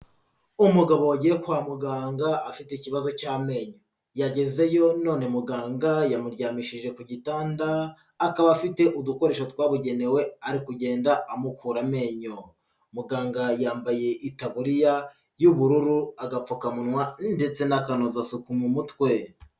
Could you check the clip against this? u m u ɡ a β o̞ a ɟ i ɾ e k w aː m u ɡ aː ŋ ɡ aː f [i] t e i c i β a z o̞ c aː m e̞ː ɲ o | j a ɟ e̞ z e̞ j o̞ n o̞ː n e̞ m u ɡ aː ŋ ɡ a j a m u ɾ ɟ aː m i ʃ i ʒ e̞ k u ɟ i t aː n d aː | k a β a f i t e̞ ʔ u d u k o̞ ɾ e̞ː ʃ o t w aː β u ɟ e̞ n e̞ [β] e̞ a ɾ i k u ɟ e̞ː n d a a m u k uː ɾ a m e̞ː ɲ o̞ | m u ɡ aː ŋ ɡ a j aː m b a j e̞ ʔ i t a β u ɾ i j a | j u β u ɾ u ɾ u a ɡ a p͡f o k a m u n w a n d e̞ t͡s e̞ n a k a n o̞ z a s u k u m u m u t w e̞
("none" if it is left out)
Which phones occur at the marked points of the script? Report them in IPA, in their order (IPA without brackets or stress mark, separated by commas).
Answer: i, w